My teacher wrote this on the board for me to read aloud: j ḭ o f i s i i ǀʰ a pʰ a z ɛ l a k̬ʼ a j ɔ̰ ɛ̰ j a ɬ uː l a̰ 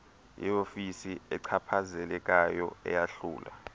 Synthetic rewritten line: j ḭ o f i s i ɛ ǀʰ a pʰ a z ɛ l ɛ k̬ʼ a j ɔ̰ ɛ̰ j a ɬ uː l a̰